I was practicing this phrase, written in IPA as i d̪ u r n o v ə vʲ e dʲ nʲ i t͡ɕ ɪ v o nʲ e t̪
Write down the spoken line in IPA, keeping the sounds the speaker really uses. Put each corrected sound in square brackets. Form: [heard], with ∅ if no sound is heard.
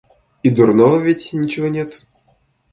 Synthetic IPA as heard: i d̪ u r n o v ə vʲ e [tʲ] nʲ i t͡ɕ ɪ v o nʲ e t̪